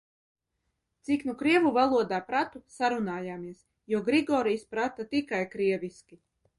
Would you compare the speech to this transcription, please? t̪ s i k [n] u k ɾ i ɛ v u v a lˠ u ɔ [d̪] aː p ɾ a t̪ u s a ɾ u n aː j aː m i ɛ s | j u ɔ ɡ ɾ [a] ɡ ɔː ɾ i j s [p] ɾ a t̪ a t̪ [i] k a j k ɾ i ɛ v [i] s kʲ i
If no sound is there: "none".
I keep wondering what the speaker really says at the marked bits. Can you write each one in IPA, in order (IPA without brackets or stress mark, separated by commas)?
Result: n, d̪, i, p, i, i